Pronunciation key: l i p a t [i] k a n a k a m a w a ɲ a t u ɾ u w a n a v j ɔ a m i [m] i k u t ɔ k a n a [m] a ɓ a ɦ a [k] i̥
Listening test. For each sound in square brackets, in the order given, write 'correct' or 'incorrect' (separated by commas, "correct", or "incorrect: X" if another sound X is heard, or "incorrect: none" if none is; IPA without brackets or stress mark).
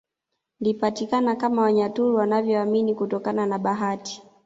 correct, incorrect: n, incorrect: n, incorrect: t